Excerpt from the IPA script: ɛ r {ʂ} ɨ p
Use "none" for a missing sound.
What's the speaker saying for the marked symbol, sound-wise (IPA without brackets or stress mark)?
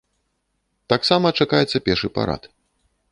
ʂ